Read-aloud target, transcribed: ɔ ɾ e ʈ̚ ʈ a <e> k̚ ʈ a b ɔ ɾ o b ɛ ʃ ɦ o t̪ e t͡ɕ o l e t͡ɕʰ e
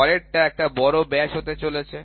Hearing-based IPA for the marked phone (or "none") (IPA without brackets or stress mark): ɛ